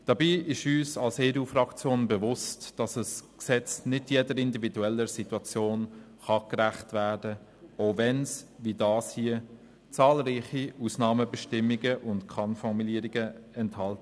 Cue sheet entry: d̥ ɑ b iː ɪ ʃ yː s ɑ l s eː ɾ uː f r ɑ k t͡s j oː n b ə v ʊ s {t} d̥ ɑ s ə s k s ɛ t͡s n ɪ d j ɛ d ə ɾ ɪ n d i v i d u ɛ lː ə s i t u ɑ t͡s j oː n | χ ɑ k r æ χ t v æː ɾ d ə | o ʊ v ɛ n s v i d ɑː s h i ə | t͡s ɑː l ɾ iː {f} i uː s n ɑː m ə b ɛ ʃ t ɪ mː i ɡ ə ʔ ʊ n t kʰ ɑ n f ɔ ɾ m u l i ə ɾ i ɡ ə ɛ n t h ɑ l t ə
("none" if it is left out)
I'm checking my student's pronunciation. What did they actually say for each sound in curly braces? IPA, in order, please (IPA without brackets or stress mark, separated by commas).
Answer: t, χ